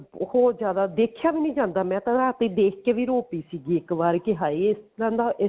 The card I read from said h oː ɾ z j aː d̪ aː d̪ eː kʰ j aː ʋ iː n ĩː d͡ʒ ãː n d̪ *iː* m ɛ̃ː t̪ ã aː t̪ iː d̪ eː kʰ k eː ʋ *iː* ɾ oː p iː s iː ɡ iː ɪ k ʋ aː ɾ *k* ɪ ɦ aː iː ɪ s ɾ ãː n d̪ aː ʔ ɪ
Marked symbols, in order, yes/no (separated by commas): no, yes, yes